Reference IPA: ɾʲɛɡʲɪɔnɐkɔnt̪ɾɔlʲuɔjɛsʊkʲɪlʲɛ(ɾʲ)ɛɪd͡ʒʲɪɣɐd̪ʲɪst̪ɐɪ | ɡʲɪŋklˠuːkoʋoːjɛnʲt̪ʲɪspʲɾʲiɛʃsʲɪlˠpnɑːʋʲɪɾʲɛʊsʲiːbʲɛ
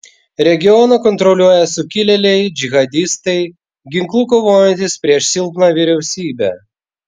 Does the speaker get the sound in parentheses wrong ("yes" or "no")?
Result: yes